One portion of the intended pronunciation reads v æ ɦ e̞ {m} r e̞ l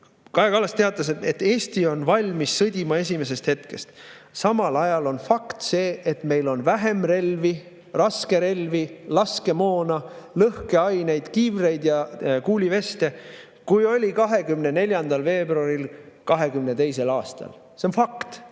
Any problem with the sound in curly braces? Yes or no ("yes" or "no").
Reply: no